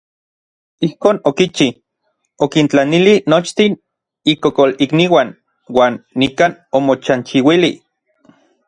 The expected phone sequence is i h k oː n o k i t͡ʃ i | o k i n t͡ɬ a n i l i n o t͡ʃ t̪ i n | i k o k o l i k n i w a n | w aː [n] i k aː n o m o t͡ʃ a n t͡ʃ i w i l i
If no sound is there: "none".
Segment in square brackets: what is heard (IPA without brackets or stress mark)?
nː